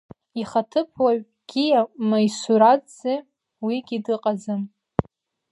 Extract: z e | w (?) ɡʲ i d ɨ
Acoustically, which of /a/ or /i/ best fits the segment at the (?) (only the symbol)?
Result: i